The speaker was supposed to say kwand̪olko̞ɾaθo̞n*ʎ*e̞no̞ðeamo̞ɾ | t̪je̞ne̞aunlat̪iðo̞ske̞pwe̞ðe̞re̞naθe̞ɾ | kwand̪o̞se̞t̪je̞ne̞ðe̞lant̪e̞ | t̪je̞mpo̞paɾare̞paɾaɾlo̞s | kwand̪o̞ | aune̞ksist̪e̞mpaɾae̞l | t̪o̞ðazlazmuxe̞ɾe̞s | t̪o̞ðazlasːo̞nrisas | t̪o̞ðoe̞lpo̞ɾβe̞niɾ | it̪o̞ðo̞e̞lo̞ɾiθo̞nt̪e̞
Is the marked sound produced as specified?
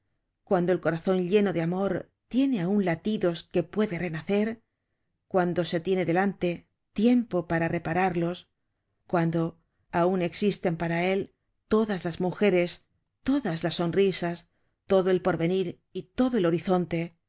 yes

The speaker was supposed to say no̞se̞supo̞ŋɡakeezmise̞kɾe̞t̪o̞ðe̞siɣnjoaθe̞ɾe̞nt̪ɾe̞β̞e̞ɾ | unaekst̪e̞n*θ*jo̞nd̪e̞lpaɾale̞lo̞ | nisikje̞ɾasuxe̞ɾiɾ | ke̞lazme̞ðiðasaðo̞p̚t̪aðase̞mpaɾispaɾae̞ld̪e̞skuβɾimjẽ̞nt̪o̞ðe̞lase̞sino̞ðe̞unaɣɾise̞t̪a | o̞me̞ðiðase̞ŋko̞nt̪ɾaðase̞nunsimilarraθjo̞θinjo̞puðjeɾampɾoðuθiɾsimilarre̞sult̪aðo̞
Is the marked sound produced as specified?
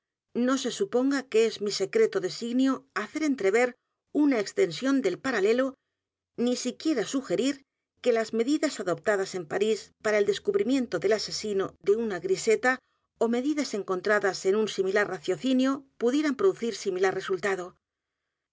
no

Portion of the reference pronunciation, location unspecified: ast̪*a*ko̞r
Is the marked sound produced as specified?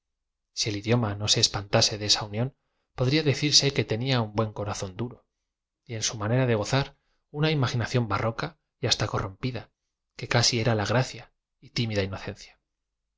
yes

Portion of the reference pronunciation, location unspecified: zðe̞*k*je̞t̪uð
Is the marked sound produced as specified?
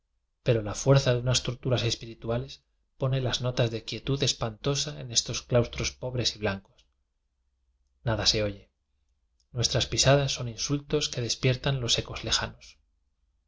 yes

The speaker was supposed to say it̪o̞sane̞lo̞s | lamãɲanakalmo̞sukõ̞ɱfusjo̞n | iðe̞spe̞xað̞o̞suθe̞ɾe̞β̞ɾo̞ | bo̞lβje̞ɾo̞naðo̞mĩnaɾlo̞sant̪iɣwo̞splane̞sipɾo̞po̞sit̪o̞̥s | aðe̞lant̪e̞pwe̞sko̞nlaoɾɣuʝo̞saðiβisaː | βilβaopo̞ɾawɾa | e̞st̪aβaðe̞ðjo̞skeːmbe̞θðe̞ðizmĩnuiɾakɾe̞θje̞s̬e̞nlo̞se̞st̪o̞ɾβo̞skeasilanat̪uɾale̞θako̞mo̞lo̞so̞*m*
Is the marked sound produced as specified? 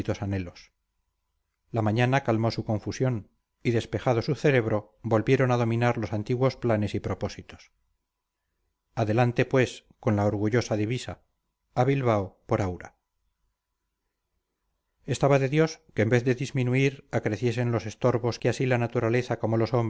yes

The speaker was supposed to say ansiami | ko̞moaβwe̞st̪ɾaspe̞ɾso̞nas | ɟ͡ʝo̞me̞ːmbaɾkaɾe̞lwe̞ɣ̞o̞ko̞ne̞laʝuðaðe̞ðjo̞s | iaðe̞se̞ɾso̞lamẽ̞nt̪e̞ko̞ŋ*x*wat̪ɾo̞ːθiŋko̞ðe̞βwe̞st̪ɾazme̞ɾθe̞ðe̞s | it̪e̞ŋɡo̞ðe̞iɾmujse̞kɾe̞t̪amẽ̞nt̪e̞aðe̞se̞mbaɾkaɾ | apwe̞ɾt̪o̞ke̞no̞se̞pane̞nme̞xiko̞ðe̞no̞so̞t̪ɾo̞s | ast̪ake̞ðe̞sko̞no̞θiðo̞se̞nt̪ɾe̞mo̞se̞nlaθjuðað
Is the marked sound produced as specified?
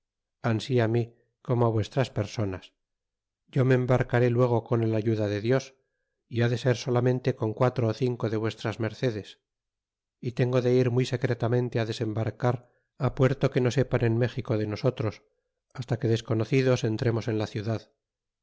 no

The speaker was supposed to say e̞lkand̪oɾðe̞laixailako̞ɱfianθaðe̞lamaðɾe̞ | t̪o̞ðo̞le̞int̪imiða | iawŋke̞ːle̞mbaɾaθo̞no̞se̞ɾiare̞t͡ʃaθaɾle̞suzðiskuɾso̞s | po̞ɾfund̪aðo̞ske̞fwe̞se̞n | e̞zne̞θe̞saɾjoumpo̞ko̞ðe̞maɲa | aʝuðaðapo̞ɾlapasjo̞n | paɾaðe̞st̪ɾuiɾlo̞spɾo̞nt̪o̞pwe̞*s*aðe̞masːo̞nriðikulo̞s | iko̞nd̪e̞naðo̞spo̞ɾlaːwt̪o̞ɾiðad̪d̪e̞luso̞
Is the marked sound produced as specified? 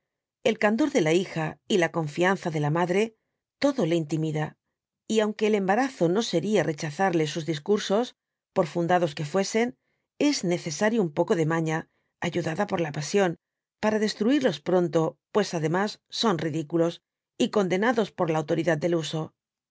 yes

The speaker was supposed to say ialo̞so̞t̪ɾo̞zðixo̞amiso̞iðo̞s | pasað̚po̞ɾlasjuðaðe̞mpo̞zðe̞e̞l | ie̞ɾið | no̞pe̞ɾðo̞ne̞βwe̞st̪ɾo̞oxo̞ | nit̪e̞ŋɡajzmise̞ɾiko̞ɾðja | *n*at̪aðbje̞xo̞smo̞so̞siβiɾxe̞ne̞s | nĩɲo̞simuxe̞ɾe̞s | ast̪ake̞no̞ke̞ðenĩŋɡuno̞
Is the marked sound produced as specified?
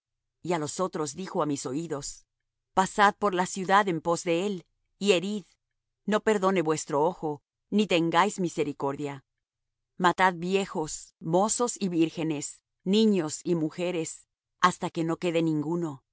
no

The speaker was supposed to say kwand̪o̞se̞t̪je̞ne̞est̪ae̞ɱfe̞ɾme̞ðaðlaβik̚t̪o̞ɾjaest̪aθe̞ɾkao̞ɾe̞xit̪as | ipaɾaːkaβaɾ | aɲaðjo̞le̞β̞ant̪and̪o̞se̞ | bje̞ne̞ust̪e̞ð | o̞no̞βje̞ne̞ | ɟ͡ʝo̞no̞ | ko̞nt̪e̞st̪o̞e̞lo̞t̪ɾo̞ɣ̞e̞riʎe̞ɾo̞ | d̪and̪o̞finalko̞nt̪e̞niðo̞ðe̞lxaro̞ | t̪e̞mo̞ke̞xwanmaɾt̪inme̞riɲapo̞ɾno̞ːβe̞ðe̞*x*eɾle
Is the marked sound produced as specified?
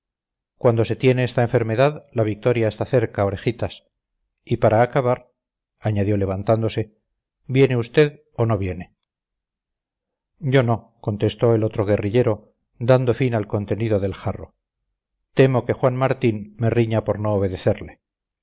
no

